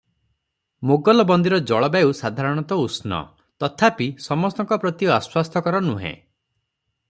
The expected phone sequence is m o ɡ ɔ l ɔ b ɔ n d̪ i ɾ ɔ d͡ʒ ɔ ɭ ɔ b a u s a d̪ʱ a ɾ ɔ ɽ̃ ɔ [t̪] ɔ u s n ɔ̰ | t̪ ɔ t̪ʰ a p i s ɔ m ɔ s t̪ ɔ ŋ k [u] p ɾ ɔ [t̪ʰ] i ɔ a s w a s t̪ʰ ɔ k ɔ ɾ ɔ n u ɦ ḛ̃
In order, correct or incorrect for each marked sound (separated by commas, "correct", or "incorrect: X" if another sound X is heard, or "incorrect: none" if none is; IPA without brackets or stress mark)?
correct, incorrect: ɔ, incorrect: t̪